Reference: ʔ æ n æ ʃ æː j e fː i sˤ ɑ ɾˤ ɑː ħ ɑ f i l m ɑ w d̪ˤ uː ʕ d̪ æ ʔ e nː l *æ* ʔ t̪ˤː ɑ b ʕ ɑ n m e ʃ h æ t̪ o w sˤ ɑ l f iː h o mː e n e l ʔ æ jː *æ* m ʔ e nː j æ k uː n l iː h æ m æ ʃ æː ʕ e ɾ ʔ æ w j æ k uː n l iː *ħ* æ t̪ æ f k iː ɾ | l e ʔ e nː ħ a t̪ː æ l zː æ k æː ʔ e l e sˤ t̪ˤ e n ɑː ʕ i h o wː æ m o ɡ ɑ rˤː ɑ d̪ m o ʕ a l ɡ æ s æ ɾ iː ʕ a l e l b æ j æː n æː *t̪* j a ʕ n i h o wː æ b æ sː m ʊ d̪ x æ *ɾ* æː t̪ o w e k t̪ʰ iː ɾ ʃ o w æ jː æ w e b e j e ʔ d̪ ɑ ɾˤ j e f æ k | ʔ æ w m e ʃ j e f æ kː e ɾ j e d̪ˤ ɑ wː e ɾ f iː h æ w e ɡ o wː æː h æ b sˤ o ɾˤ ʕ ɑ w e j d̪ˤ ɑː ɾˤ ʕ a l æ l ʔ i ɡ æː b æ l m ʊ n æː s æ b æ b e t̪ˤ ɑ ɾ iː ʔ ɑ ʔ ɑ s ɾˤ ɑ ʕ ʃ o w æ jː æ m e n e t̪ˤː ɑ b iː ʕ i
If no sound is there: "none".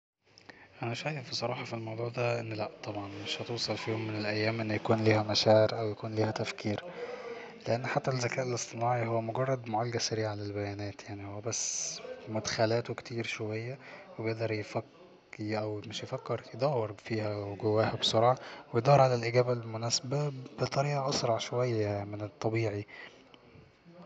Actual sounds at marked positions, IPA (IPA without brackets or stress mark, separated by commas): æ, æː, h, t̪, l